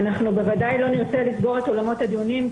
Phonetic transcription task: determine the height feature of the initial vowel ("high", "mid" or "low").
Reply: low